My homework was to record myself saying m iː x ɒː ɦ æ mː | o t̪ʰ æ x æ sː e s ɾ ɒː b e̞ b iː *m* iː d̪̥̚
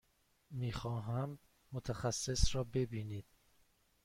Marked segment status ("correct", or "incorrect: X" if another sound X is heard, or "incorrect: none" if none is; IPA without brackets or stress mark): incorrect: n